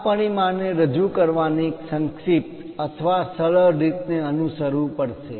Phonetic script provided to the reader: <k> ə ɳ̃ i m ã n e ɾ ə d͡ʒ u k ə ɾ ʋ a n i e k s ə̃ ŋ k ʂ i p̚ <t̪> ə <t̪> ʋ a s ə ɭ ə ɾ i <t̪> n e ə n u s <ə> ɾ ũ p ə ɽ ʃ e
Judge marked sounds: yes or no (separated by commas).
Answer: no, yes, no, yes, yes